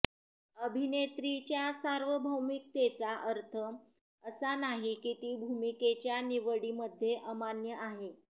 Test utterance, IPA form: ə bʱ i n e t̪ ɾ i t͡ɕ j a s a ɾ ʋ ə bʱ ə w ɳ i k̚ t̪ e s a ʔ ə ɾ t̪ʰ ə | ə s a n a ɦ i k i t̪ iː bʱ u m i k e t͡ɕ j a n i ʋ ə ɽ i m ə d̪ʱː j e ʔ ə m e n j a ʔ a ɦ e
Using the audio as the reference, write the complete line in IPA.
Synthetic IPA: ə bʱ i n e t̪ ɾ i t͡ɕ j a s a ɾ ʋ ə bʱ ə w m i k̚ t̪ e t͡s a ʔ ə ɾ t̪ʰ ə | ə s a n a ɦ i k i t̪ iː bʱ u m i k e t͡ɕ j a n i ʋ ə ɽ i m ə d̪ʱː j e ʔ ə m a n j ə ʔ a ɦ e